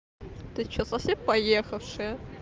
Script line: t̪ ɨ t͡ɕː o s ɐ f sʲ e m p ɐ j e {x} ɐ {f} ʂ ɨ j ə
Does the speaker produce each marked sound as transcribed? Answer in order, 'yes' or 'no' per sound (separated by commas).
yes, yes